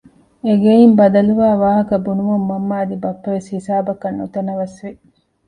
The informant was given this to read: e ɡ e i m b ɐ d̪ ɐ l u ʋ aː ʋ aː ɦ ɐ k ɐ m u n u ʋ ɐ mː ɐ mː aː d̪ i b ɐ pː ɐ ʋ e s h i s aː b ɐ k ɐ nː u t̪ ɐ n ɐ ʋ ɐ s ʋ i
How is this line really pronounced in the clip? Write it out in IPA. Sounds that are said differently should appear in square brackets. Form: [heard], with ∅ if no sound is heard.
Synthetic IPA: e ɡ e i m b ɐ d̪ ɐ l u ʋ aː ʋ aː ɦ ɐ k ɐ [b] u n u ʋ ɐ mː ɐ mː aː d̪ i b ɐ pː ɐ ʋ e s h i s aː b ɐ k ɐ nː u t̪ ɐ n ɐ ʋ ɐ s ʋ i